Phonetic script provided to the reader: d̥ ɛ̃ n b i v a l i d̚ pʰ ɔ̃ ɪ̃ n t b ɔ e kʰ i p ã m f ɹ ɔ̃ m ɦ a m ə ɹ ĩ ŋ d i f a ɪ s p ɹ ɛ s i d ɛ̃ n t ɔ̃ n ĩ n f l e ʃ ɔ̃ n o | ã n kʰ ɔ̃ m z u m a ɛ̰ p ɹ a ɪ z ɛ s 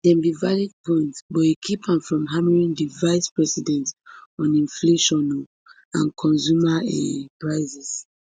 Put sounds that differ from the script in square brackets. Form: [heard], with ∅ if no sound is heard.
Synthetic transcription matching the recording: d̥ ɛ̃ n b i v a l i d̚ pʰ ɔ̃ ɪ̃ n t b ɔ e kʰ i p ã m f ɹ ɔ̃ m ɦ a m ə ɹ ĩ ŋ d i [v] a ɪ s p ɹ ɛ s i d ɛ̃ n t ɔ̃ n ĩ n f l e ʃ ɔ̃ n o | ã n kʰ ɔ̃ [n] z u m a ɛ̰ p ɹ a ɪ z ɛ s